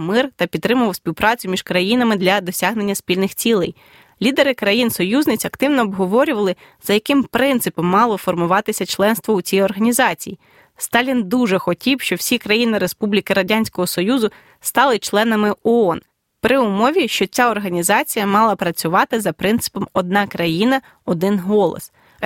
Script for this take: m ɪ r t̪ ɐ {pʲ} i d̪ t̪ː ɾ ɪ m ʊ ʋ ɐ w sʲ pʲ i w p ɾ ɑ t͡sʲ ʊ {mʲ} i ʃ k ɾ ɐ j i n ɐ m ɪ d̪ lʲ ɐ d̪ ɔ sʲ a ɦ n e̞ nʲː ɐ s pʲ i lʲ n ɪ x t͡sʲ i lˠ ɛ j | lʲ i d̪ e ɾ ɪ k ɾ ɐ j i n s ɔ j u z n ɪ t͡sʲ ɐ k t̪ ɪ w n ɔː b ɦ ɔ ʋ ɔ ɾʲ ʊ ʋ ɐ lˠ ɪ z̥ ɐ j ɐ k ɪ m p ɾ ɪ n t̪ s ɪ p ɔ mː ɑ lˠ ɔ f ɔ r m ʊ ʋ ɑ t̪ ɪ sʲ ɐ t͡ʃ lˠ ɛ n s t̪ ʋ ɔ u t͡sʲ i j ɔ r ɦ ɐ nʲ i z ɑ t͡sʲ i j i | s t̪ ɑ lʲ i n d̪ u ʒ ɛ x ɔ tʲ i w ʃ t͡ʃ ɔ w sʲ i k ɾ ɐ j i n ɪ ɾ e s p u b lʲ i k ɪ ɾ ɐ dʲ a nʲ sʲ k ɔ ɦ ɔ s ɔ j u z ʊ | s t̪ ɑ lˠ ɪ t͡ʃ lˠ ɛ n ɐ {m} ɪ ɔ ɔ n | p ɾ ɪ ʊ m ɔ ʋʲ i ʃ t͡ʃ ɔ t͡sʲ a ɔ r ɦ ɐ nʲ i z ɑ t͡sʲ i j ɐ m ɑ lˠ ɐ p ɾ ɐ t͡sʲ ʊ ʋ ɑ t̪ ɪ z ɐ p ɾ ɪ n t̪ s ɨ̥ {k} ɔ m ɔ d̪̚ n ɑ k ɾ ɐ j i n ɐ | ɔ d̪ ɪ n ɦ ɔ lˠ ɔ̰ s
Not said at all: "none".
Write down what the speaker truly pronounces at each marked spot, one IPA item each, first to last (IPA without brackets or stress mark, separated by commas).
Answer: pʲ, mʲ, m, p